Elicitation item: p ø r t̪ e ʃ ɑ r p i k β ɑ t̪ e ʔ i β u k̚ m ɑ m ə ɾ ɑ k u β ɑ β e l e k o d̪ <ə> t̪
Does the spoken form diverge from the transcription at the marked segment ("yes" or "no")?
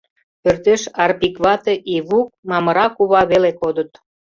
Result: no